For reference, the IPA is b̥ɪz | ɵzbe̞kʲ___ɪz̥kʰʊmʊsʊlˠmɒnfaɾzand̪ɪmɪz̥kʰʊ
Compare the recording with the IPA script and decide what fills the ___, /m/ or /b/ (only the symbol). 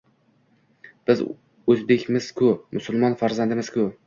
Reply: m